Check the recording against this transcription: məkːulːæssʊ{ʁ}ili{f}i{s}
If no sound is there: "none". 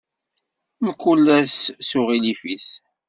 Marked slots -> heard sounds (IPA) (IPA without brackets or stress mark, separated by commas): ʁ, f, s